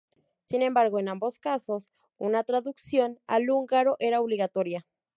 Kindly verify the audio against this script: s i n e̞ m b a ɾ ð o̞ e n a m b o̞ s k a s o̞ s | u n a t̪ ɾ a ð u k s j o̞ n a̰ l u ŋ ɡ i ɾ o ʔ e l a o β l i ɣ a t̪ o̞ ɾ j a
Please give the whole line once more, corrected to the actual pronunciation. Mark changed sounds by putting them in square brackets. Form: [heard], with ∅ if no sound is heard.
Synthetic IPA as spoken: s i n e̞ m b a ɾ [ɣ] o̞ e n a m b o̞ s k a s o̞ s | u n a t̪ ɾ a ð u k s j o̞ n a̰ l u ŋ ɡ [a] ɾ o ʔ e [ɾ] a o β l i ɣ a t̪ o̞ ɾ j a

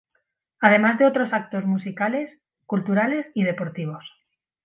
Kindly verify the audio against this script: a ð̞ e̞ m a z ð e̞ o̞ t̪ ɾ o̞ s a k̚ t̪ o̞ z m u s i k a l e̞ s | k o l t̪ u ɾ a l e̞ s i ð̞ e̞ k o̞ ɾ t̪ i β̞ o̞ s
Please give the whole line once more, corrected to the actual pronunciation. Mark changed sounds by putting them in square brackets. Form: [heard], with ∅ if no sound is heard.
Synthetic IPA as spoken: a ð̞ e̞ m a z ð e̞ o̞ t̪ ɾ o̞ s a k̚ t̪ o̞ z m u s i k a l e̞ s | k [u] l t̪ u ɾ a l e̞ s i ð̞ e̞ [p] o̞ ɾ t̪ i β̞ o̞ s

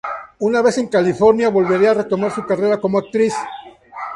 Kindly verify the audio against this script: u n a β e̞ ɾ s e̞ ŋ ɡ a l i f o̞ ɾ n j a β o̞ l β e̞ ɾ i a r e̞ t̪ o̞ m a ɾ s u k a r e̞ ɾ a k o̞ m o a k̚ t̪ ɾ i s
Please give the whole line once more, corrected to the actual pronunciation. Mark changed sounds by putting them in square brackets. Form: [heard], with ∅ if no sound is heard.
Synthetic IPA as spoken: u n a β e̞ [∅] s e̞ ŋ [k] a l i f o̞ ɾ n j a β o̞ l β e̞ ɾ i a r e̞ t̪ o̞ m a ɾ s u k a r e̞ ɾ a k o̞ m o a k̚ t̪ ɾ i s

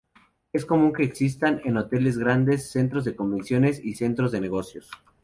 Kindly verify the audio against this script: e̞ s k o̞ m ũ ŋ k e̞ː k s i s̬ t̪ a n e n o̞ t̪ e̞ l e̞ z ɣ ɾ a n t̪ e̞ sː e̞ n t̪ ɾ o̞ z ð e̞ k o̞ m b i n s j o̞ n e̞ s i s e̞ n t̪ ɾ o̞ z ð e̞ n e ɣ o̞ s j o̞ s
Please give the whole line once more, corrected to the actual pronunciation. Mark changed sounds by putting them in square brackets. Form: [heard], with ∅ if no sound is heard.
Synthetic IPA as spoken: e̞ s k o̞ m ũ ŋ k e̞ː k s i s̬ t̪ a n e n o̞ t̪ e̞ l e̞ z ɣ ɾ a n [d̪] e̞ sː e̞ n t̪ ɾ o̞ z ð e̞ k o̞ m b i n s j o̞ n e̞ s i s e̞ n t̪ ɾ o̞ z ð e̞ n e ɣ o̞ s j o̞ s

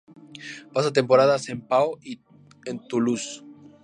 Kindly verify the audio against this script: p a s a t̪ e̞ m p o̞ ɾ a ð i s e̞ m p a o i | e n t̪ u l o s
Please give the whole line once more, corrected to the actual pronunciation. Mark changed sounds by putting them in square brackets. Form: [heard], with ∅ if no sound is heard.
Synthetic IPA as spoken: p a s a t̪ e̞ m p o̞ ɾ a ð [a] s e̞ m p a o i | e n t̪ u l [u] s

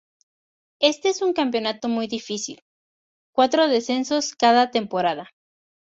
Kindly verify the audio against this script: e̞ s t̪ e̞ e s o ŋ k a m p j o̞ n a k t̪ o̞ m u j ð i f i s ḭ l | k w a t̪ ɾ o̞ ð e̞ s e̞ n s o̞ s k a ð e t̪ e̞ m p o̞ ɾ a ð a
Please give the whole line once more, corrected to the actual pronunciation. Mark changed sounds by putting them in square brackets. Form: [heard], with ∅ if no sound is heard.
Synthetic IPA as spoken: e̞ s t̪ e̞ e s [u] ŋ k a m p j o̞ n a [∅] t̪ o̞ m u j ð i f i s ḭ l | k w a t̪ ɾ o̞ ð e̞ s e̞ n s o̞ s k a ð [a] t̪ e̞ m p o̞ ɾ a ð a

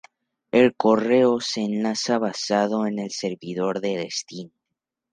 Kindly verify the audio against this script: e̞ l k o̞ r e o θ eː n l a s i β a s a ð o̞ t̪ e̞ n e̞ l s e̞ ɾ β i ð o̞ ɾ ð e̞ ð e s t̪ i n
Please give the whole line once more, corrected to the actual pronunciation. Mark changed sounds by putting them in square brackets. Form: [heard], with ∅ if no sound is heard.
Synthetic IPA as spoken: e̞ l k o̞ r e o [s] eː n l a s [a] β a s a ð o̞ [∅] e̞ n e̞ l s e̞ ɾ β i ð o̞ ɾ ð e̞ ð e s t̪ i n

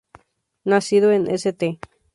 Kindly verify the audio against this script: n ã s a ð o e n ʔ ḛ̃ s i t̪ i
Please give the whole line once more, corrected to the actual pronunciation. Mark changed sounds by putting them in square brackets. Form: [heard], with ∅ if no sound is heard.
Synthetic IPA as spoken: n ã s [i] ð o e n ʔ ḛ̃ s [e] t̪ [e]

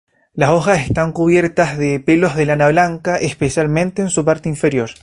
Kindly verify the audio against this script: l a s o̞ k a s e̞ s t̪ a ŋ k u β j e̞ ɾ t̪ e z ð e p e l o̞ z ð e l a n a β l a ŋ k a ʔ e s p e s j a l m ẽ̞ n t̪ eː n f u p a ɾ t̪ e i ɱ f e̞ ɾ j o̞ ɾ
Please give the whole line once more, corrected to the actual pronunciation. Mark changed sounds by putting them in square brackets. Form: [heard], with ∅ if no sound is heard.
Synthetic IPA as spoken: l a s o̞ [x] a s e̞ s t̪ a ŋ k u β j e̞ ɾ t̪ [a] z ð e p e l o̞ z ð e l a n a β l a ŋ k a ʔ e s p e s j a l m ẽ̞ n t̪ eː n [s] u p a ɾ t̪ e i ɱ f e̞ ɾ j o̞ ɾ

